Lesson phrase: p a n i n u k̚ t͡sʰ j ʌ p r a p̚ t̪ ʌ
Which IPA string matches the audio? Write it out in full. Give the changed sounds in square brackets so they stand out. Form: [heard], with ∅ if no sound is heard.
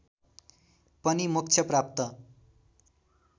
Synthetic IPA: p [ʌ] n i [m] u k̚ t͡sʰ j ʌ p r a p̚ t̪ ʌ